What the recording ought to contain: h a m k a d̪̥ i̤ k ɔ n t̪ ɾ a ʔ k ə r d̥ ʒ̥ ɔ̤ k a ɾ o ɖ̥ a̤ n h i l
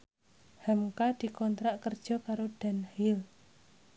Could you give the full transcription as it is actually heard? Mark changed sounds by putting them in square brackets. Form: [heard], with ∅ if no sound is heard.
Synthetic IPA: h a m k a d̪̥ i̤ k ɔ n t̪ ɾ a ʔ k ə r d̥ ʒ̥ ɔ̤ k a ɾ o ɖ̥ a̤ n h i l